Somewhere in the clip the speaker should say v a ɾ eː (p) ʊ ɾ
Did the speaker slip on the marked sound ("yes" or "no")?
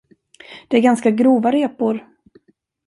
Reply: no